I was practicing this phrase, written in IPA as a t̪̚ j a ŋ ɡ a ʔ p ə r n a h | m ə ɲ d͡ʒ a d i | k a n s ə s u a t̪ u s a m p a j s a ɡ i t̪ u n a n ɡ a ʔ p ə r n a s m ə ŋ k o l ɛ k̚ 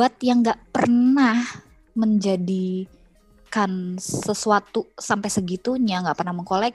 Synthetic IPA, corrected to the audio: a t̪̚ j a ŋ ɡ a ʔ p ə r n a h | m ə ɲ d͡ʒ a d i | k a n s ə s u a t̪ u s a m p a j s ə ɡ i t̪ u ɲ a ŋ ɡ a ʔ p ə r n a h m ə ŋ k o l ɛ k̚